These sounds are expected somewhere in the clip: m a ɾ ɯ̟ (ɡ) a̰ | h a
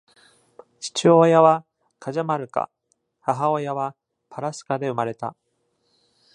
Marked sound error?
yes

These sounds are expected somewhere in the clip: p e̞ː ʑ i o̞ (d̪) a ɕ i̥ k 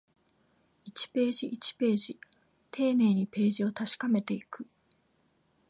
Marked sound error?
yes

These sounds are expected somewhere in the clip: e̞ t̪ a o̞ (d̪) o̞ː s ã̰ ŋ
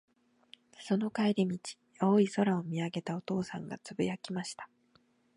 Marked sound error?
yes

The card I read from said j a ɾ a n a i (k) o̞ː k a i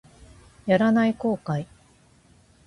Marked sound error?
no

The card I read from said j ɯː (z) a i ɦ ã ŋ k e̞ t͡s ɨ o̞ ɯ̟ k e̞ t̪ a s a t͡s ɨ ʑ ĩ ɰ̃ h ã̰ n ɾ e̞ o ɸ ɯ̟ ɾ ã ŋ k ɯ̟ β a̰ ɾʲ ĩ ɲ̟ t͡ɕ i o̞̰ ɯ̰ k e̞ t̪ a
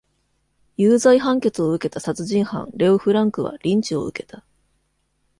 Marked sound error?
no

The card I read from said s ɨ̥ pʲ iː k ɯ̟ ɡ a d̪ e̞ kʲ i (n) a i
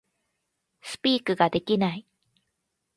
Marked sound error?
no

